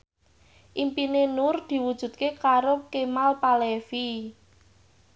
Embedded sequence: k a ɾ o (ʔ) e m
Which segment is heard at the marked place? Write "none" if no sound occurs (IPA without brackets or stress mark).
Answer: k